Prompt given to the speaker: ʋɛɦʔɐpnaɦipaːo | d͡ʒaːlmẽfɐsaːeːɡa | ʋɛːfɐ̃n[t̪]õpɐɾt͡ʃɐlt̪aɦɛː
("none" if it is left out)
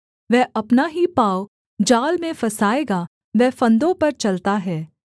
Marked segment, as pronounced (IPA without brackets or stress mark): d̪